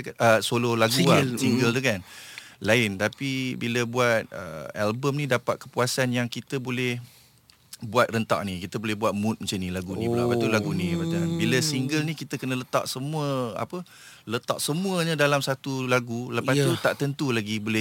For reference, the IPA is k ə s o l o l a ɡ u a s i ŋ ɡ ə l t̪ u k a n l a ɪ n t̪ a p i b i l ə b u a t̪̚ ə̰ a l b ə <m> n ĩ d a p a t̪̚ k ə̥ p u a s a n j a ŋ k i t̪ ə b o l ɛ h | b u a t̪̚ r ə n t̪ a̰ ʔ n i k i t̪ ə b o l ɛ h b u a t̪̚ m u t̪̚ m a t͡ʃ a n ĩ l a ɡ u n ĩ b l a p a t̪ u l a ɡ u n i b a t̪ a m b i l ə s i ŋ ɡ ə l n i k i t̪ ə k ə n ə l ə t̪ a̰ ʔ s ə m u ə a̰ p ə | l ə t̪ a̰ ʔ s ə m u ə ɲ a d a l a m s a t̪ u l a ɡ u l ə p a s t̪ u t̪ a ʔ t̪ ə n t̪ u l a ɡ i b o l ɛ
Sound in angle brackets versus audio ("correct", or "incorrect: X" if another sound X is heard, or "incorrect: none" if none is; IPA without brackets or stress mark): correct